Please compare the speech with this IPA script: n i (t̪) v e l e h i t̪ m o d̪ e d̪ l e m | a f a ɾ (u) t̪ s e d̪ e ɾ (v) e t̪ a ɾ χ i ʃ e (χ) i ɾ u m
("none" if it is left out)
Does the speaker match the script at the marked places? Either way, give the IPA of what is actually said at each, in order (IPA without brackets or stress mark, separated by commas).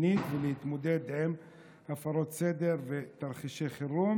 t̪, o, v, χ